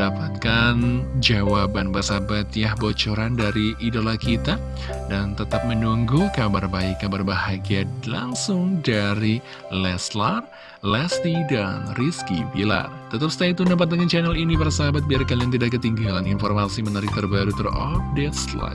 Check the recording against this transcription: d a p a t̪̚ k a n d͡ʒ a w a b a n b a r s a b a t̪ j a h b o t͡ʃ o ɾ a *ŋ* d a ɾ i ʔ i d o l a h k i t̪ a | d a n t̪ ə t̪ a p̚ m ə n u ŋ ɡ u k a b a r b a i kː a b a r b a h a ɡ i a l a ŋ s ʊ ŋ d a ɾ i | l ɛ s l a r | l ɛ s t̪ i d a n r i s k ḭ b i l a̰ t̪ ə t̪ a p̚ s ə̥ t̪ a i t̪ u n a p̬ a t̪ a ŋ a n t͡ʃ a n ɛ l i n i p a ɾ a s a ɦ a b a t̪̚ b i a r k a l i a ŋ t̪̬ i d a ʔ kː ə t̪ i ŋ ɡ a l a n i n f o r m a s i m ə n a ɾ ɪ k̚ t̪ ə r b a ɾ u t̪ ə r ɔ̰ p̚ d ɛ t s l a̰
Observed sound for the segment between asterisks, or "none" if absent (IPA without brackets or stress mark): n